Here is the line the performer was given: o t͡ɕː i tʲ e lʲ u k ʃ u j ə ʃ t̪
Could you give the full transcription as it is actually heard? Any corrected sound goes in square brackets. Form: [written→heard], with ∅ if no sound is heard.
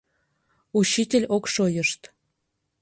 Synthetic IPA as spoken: [o→u] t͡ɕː i tʲ e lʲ [u→o] k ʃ [u→o] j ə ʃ t̪